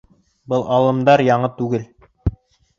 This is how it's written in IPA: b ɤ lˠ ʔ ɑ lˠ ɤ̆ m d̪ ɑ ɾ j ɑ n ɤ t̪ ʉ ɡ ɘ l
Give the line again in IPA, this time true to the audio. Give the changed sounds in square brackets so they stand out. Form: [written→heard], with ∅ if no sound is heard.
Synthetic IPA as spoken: b ɤ lˠ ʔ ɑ lˠ ɤ̆ m d̪ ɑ ɾ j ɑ [n→ɴ] ɤ t̪ ʉ ɡ ɘ l